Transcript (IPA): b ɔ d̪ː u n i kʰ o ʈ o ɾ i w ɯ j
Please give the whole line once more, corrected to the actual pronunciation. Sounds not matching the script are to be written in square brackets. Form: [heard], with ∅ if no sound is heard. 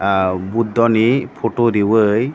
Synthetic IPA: b [u] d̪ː [ɔ] n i [pʰ] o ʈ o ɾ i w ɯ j